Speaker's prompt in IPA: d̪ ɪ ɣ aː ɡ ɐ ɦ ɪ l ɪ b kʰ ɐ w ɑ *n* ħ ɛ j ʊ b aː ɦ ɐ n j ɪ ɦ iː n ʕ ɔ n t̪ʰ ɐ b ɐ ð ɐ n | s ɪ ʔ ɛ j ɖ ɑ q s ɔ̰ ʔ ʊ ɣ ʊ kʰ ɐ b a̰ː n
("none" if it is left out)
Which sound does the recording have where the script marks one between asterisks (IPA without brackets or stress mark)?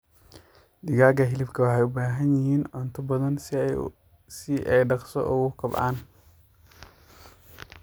none